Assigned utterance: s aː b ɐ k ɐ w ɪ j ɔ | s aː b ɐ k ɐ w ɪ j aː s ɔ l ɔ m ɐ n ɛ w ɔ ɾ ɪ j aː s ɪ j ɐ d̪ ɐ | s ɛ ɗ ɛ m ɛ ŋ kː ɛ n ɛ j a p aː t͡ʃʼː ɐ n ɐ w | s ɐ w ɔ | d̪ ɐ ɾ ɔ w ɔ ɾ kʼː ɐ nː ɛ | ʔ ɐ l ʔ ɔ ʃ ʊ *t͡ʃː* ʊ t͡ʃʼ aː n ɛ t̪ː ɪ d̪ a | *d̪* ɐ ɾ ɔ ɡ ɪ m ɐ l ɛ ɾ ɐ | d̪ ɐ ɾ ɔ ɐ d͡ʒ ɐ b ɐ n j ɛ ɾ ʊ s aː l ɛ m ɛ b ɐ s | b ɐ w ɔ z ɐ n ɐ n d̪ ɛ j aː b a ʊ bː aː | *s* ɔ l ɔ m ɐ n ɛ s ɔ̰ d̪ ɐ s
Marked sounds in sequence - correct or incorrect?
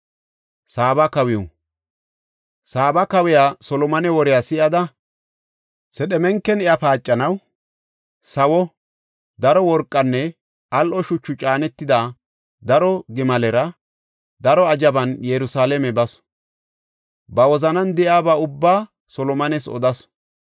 correct, correct, correct

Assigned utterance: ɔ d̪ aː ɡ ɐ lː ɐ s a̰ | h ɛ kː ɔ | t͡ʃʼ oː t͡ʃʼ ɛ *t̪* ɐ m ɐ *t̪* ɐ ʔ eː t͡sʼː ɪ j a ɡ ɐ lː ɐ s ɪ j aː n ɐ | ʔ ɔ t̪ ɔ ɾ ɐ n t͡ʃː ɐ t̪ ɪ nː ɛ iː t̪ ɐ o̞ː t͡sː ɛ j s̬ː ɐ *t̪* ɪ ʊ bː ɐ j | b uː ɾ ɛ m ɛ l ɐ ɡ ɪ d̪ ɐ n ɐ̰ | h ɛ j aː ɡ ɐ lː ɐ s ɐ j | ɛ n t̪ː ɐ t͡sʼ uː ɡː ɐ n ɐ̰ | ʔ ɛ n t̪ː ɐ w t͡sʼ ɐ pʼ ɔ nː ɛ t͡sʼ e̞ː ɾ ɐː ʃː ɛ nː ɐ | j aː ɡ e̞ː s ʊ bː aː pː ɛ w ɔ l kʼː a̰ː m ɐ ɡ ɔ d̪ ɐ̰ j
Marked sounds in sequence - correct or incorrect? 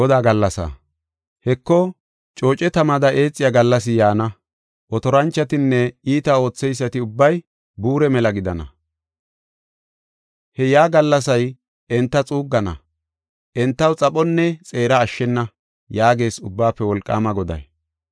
correct, incorrect: d̪, correct

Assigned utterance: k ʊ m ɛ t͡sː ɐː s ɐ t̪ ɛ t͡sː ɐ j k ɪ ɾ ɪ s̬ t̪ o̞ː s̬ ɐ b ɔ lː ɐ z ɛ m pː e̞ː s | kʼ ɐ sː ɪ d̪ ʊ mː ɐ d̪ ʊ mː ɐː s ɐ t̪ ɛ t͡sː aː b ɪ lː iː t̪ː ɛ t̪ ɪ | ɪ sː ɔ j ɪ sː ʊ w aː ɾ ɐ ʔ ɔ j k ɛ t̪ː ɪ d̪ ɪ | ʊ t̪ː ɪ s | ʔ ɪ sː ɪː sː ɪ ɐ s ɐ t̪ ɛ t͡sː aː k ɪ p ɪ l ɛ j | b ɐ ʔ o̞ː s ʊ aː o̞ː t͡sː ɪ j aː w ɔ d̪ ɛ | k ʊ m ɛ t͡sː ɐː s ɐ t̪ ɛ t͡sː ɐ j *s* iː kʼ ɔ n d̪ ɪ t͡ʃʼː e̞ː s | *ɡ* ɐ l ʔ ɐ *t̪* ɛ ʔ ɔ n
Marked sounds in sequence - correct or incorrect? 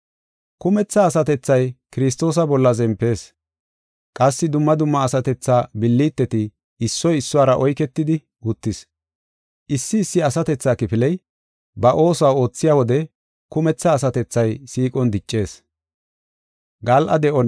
correct, correct, incorrect: d̪

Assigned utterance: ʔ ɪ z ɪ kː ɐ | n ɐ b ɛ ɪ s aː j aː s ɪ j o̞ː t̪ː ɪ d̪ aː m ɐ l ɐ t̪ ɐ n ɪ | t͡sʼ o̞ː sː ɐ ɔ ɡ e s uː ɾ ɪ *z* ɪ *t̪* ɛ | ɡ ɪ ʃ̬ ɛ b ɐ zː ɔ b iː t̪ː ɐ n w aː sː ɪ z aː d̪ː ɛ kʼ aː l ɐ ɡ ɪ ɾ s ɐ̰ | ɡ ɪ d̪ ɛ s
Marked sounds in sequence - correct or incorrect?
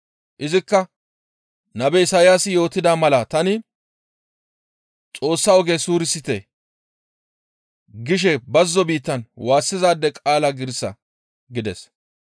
incorrect: s, correct

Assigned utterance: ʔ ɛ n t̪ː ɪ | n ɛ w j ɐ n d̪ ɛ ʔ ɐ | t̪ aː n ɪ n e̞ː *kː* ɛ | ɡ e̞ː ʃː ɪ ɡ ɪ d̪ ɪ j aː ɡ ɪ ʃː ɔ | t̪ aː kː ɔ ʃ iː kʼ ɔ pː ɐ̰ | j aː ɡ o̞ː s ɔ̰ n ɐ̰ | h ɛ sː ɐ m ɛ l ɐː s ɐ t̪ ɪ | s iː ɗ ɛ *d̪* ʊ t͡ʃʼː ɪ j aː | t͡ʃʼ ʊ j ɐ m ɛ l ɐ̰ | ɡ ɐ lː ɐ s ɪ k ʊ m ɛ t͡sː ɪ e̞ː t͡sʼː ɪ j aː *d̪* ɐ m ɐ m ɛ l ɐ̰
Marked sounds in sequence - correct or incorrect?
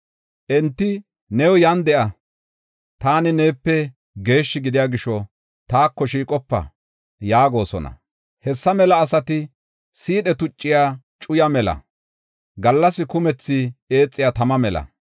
incorrect: pː, incorrect: t̪, incorrect: t̪

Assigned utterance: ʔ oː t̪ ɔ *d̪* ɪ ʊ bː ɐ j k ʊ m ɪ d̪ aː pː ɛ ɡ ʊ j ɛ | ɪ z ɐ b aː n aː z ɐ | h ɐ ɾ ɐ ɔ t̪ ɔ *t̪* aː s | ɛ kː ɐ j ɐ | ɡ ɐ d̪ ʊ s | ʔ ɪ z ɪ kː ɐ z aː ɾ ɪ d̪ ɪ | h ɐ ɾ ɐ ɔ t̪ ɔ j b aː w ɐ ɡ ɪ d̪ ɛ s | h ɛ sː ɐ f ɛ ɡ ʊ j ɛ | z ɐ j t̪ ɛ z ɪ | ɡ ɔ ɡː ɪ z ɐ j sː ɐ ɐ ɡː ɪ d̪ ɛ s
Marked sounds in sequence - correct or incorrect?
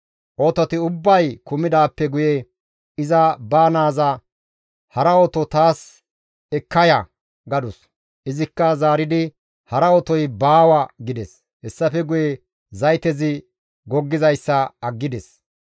incorrect: t̪, correct

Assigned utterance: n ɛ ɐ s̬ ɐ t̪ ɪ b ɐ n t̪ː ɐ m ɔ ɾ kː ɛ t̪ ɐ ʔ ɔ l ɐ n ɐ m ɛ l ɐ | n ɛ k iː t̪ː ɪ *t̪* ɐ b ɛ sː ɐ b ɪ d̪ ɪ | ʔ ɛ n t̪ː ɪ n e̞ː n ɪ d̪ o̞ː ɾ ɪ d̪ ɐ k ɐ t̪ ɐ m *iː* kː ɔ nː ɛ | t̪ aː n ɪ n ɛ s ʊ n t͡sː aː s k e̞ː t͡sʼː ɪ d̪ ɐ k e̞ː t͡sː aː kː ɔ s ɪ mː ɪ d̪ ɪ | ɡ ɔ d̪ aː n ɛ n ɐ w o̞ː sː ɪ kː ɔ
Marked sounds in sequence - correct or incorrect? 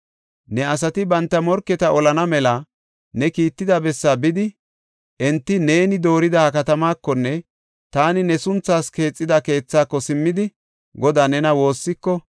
incorrect: d̪, incorrect: aː

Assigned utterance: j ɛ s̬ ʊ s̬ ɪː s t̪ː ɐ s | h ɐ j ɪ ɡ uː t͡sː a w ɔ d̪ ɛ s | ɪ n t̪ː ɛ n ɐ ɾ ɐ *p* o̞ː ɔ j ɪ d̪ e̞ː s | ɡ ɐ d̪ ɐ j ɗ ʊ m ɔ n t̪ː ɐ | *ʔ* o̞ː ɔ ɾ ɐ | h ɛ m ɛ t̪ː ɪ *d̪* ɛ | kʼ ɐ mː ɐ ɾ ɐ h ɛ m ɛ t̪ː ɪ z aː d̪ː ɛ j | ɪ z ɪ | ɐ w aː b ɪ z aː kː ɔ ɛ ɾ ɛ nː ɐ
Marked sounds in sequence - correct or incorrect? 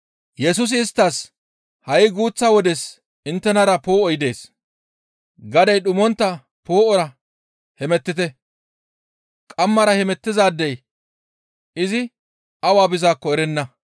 correct, incorrect: p, incorrect: t̪

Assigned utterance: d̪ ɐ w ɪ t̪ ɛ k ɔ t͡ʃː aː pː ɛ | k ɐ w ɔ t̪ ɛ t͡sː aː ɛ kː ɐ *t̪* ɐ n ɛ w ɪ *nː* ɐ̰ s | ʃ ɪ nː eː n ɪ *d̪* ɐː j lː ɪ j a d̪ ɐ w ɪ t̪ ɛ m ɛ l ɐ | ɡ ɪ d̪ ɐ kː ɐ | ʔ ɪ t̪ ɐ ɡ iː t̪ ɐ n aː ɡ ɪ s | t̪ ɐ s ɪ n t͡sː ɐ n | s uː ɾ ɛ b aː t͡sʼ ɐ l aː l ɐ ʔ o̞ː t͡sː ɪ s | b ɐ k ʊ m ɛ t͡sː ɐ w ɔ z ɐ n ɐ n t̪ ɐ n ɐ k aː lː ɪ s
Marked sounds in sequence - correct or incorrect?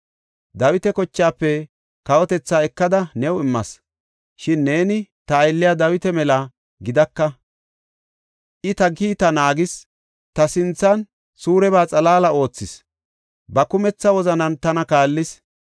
incorrect: d̪, incorrect: mː, incorrect: t̪

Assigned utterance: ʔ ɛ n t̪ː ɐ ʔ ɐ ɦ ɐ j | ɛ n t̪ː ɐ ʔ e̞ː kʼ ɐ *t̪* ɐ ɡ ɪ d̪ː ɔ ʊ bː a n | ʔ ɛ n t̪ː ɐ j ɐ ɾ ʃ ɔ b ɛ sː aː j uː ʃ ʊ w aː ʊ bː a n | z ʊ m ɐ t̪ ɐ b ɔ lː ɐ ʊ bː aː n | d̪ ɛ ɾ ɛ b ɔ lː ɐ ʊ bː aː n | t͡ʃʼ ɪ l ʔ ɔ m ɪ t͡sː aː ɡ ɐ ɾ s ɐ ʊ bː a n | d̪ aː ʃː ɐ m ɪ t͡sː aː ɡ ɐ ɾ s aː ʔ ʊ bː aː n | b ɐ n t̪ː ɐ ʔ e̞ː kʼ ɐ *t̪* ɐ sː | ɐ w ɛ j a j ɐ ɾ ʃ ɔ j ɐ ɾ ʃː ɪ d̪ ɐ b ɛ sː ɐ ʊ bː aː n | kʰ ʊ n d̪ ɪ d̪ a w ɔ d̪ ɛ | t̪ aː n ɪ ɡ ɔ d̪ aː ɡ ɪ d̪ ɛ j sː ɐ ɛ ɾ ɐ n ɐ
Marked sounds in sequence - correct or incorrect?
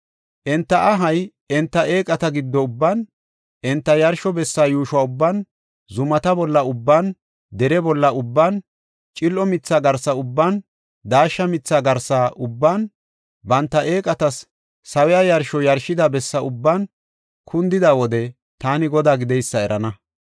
correct, correct

